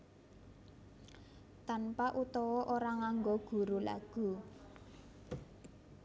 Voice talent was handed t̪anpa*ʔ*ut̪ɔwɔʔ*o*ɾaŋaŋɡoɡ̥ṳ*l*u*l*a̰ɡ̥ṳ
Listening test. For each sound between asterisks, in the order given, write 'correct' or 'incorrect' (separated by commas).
correct, correct, incorrect, correct